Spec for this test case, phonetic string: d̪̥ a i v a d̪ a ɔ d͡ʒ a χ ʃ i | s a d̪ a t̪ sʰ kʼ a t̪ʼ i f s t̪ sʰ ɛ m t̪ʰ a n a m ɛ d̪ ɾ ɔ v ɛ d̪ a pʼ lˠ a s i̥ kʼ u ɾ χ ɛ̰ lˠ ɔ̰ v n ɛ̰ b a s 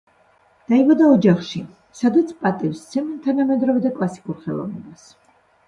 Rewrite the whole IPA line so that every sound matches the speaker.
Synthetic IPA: d̪̥ a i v a d̪ a ɔ d͡ʒ a χ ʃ i | s a d̪ a t̪ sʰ pʼ a t̪ʼ i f s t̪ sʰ ɛ m t̪ʰ a n a m ɛ d̪ ɾ ɔ v ɛ d̪ a kʼ lˠ a s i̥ kʼ u ɾ χ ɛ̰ lˠ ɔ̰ v n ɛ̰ b a s